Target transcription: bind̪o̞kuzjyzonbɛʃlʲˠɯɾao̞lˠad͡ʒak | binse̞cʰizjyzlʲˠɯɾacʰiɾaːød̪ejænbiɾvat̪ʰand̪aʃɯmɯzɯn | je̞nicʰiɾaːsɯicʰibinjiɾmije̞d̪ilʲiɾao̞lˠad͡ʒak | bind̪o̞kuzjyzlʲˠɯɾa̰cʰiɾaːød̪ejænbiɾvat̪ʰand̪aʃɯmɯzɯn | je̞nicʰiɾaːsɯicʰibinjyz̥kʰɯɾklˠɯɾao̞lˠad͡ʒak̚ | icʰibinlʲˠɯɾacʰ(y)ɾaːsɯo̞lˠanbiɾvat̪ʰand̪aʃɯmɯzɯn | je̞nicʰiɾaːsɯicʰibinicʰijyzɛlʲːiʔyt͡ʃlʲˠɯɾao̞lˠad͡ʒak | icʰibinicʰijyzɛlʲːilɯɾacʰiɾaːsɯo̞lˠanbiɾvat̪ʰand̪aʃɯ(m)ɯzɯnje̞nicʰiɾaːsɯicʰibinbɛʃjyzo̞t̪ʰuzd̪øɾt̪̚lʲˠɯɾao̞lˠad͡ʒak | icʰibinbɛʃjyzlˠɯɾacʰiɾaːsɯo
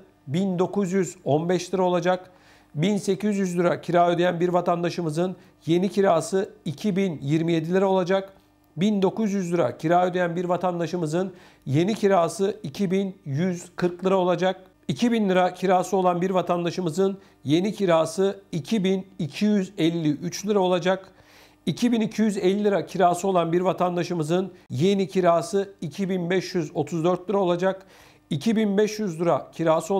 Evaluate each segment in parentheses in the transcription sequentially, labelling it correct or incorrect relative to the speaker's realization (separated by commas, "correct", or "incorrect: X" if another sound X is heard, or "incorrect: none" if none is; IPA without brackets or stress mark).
incorrect: i, correct